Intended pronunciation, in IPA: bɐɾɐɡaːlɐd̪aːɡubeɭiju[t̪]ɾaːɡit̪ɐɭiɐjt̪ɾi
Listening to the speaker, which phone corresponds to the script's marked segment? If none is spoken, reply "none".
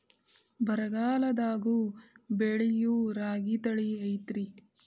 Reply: none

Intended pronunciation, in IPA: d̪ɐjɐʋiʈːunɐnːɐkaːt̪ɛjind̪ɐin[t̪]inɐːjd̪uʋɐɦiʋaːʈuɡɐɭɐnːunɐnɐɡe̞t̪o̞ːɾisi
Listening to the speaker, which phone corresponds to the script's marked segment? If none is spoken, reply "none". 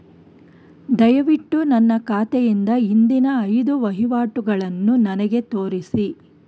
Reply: d̪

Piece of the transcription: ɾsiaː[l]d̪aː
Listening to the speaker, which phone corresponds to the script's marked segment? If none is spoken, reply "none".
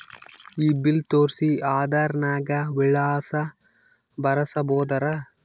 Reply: none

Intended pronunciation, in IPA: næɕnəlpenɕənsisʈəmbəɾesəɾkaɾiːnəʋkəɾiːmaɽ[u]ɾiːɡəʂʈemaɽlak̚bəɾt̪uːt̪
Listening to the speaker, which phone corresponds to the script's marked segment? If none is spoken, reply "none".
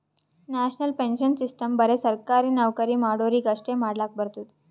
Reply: o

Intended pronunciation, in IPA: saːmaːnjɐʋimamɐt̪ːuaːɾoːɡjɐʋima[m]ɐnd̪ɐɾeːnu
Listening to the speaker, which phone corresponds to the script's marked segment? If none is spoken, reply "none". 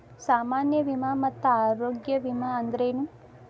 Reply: none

